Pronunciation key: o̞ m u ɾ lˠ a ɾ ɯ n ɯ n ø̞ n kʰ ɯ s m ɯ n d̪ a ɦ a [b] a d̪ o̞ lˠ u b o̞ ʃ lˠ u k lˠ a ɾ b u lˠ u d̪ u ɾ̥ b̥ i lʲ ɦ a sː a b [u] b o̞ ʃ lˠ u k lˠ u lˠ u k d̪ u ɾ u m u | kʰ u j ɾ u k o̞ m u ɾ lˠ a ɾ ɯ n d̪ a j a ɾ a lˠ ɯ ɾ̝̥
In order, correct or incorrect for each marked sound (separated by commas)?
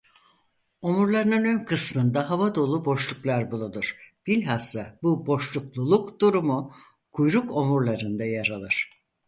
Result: incorrect, correct